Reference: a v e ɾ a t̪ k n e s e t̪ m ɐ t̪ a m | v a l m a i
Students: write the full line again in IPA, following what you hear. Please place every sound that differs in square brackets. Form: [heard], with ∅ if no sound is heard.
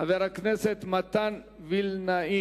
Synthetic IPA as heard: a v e ɾ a [∅] k n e s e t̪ m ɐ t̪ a [n] | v [i] l [n] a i